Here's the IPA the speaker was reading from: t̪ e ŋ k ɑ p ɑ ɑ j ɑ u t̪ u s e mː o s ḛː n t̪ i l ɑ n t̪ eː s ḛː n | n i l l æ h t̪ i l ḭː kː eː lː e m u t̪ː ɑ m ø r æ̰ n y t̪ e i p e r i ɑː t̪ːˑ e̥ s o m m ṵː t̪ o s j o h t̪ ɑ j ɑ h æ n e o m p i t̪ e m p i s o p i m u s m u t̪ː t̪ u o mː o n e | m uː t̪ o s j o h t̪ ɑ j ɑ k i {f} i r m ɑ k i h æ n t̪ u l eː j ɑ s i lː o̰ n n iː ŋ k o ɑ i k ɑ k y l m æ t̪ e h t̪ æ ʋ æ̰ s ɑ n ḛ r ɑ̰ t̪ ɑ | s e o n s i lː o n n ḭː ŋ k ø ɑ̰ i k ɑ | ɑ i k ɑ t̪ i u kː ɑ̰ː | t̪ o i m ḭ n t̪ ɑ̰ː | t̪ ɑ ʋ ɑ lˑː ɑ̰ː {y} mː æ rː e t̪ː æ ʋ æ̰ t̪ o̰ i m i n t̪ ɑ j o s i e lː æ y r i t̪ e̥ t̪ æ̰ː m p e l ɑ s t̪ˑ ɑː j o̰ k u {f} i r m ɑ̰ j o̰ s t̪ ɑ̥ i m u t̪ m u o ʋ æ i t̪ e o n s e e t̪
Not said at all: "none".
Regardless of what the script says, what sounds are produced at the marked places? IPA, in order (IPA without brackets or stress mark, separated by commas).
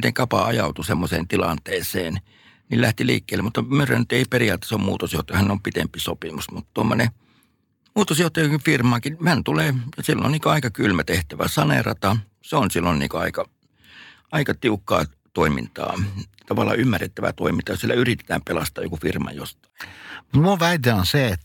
f, y, f